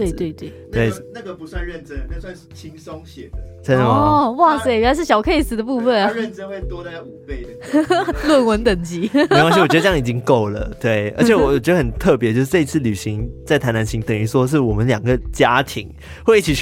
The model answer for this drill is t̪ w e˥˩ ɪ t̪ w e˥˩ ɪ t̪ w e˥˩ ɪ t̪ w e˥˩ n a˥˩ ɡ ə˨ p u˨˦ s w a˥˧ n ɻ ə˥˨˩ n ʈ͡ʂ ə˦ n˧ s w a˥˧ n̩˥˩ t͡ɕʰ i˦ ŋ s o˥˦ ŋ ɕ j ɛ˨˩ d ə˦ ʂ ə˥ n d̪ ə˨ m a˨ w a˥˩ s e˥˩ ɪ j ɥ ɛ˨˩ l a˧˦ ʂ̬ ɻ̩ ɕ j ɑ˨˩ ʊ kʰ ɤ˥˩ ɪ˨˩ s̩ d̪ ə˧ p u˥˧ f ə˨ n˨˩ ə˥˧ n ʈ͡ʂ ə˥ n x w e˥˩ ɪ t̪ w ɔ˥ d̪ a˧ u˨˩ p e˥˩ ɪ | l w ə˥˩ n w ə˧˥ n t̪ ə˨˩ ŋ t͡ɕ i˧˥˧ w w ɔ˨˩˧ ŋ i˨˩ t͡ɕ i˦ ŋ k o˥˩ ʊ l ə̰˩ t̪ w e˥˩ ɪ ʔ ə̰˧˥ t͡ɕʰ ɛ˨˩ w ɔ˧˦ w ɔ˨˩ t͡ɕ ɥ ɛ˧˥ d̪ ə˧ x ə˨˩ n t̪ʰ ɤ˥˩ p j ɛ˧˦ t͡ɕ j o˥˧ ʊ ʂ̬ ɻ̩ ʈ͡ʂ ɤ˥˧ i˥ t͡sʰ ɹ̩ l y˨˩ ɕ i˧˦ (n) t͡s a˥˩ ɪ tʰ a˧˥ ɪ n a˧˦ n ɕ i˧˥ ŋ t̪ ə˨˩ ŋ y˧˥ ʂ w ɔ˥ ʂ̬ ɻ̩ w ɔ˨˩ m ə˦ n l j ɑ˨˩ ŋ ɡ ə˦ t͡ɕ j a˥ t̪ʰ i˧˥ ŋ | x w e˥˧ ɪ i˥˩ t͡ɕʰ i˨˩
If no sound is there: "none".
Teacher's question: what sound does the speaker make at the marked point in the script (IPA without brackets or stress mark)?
ŋ